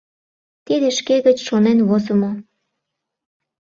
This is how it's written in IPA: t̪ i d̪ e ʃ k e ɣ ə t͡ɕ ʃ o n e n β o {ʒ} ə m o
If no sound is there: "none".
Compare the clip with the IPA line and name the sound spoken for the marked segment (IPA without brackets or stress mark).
z